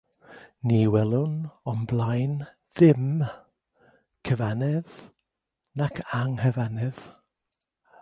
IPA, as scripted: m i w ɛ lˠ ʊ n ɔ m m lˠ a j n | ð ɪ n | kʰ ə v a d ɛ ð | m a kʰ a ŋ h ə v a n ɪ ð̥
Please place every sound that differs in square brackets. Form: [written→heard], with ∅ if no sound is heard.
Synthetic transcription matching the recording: [m→n] i w ɛ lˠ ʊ n ɔ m [m→b] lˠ a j n | ð ɪ [n→m] | kʰ ə v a [d→n] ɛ ð | [m→n] a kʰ a ŋ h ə v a n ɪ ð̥